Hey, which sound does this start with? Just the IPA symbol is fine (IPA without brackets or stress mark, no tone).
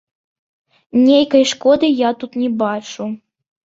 nʲ